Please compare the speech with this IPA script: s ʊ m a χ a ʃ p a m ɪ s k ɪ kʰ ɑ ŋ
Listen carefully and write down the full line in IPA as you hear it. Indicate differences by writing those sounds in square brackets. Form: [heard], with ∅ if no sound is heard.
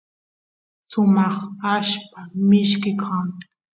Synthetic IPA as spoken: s ʊ m [ɑ] χ a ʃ p a m ɪ [ʃ] k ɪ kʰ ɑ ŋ